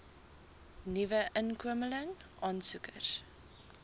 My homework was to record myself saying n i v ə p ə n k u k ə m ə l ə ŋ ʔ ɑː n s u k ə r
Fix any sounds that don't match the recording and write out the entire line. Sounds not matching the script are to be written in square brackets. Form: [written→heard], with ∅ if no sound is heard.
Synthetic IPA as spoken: n i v ə [p→ʔ] ə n k u [k→∅] ə m ə l ə ŋ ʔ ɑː n s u k ə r

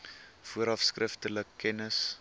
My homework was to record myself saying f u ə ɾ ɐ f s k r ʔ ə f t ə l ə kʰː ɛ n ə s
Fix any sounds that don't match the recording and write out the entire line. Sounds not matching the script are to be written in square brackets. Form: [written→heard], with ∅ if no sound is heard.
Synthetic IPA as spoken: f u ə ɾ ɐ f s k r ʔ ə f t ə l ə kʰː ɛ n ə s

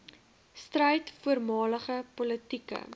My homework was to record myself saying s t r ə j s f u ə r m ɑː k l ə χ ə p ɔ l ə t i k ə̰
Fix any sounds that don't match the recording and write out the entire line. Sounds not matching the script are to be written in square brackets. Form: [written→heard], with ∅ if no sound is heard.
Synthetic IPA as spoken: s t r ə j [s→t] f u ə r m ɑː [k→∅] l ə χ ə p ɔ l ə t i k ə̰

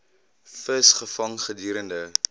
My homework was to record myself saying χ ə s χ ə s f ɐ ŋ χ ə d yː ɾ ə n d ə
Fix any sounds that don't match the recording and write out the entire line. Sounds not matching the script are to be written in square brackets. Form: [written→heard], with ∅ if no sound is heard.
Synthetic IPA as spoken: [χ→f] ə s χ ə [s→∅] f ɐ ŋ χ ə d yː ɾ ə n d ə

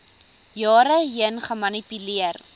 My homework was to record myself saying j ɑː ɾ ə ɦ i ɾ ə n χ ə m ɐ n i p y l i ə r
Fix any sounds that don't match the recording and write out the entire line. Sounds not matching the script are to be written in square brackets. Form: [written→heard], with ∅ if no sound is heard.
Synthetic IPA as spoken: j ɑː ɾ ə ɦ i [ɾ→∅] ə n χ ə m ɐ n i p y l i ə r

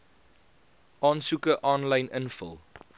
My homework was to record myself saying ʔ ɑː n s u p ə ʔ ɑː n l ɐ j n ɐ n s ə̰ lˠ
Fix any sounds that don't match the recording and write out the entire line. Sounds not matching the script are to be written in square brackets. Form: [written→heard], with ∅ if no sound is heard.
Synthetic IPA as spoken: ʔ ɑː n s u [p→k] ə ʔ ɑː n l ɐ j n [ɐ→ə] n [s→f] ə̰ lˠ

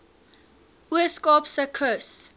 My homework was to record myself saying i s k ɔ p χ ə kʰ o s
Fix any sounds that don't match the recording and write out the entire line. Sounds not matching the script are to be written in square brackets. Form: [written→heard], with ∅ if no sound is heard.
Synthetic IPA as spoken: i s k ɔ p [χ→s] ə kʰ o s

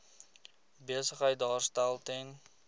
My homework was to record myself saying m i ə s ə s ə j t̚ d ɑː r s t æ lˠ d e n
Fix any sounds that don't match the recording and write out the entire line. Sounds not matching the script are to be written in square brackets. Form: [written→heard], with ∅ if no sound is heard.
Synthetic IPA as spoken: [m→b] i ə s ə [s→χ] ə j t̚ d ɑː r s t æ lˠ [d→t] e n

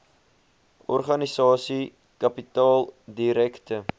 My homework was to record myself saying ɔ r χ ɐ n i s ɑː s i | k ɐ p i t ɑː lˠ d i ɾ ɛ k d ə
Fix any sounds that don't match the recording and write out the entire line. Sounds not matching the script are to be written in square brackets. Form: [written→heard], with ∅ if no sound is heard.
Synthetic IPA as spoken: ɔ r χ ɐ n i s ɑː s i | k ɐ p i t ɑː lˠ d i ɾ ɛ k [d→t] ə

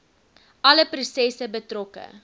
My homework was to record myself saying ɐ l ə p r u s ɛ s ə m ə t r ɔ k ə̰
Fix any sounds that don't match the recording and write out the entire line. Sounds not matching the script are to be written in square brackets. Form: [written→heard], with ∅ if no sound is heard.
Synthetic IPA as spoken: ɐ l ə p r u s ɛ s ə [m→b] ə t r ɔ k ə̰

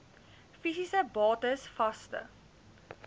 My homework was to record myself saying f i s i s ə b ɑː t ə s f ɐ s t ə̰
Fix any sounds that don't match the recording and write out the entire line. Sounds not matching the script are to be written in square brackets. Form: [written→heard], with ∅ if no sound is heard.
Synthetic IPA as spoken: f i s i s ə b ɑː t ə s f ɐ s t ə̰

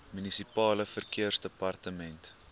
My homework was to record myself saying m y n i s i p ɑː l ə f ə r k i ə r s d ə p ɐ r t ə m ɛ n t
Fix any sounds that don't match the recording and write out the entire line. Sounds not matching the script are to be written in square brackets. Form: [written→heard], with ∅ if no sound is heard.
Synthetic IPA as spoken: m y n i s i p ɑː l ə f ə r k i ə r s d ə p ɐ r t ə m ɛ n t

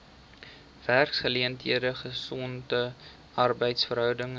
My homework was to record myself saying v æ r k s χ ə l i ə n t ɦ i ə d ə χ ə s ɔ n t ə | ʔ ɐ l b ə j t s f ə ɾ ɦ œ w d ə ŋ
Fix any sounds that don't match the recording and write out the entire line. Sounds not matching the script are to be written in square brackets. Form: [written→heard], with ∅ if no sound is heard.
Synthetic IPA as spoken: v æ r k s χ ə l i ə n t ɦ i ə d ə χ ə s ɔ n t ə | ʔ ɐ [l→r] b ə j t s f ə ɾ ɦ œ w d ə ŋ

